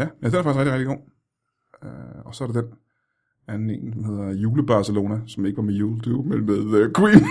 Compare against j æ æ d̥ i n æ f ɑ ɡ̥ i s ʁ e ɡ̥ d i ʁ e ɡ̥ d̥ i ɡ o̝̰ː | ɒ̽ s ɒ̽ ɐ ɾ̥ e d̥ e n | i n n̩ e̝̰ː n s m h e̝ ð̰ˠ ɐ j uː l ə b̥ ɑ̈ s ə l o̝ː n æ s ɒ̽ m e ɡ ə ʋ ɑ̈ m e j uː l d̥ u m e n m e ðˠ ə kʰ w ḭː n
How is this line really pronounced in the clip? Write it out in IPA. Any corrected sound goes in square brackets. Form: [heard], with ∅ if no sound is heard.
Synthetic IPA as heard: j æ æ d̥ [e] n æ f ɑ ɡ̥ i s ʁ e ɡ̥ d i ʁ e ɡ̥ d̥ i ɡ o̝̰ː | ɒ̽ s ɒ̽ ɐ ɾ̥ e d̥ e n | [æ] n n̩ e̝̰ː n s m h e̝ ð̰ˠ ɐ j uː l ə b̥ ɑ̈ s ə l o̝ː n æ s ɒ̽ m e ɡ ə ʋ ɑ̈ m e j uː l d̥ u m e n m e ðˠ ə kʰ w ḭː n